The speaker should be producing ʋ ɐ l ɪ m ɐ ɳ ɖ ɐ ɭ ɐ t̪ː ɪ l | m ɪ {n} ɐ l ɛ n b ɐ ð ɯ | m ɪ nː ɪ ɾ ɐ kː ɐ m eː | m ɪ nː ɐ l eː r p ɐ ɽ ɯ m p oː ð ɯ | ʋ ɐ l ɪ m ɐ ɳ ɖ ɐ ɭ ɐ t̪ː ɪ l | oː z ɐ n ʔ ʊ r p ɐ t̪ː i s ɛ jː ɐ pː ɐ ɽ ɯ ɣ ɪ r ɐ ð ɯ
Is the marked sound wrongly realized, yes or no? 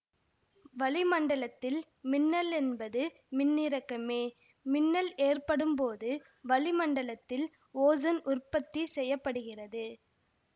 yes